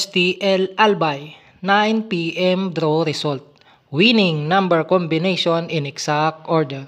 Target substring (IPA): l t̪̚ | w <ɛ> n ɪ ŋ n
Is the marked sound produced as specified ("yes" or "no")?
no